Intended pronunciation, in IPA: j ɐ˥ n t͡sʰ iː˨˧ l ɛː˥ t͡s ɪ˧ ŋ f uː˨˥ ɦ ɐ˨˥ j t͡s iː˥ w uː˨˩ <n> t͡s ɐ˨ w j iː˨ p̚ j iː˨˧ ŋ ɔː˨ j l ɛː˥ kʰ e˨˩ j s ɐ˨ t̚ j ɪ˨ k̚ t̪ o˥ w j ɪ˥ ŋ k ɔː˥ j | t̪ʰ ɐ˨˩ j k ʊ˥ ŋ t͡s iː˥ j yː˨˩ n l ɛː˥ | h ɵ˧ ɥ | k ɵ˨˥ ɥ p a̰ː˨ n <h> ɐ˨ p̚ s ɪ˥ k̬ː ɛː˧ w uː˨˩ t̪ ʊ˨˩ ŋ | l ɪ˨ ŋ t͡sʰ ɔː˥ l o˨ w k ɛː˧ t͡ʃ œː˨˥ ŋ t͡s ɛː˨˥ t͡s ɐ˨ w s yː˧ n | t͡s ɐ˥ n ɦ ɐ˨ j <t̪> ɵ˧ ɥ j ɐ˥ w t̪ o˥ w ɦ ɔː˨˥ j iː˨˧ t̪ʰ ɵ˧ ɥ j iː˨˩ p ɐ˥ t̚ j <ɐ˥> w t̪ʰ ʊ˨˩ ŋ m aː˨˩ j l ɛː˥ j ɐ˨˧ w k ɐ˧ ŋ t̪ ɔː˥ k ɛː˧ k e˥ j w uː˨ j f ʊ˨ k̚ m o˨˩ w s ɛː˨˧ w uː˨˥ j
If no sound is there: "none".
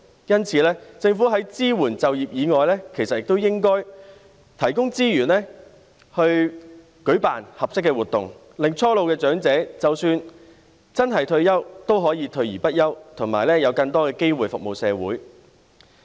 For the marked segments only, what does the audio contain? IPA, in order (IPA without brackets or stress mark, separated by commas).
n, h, t̪ʰ, ɐ˥